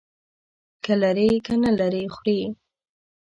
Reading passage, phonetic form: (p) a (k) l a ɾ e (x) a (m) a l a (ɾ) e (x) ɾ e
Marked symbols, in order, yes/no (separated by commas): no, no, no, no, yes, yes